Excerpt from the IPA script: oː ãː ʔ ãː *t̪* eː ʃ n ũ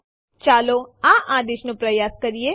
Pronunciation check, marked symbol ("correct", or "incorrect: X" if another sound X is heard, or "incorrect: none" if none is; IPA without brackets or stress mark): incorrect: d̪